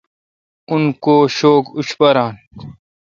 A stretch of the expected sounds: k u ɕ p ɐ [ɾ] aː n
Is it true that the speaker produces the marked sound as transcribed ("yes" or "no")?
yes